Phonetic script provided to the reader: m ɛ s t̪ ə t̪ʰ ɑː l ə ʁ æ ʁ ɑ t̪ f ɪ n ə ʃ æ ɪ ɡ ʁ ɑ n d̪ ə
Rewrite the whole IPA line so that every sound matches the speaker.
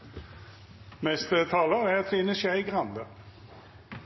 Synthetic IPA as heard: m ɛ s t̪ ə t̪ʰ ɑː l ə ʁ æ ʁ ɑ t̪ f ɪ n ə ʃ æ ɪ ɡ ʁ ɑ n d̪ ə